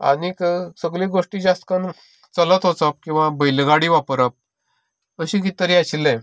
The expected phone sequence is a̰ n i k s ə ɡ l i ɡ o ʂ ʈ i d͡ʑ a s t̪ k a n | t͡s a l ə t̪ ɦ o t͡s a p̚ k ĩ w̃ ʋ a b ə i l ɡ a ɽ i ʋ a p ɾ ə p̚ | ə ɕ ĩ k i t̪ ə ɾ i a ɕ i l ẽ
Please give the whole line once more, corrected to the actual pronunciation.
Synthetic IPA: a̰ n i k s ə ɡ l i ɡ o ʂ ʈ i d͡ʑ a s t̪ k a n | t͡s ə l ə t̪ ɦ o t͡s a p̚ k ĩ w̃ ʋ a b ə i l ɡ a ɽ i ʋ a p ɾ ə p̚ | ə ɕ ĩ k i t̪ ə ɾ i a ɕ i l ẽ